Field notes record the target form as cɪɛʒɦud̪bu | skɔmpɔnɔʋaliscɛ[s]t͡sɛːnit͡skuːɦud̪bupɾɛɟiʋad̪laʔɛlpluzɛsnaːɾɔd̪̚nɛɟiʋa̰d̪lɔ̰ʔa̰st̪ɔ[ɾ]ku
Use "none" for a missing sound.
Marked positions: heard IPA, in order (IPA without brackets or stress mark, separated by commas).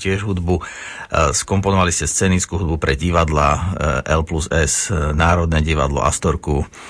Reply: s, ɾ